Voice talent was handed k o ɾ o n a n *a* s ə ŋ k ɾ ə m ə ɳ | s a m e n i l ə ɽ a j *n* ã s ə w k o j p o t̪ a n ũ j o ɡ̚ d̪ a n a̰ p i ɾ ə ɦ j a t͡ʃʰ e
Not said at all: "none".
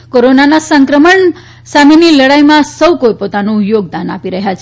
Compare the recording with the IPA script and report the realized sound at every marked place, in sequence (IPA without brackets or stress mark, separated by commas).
a, m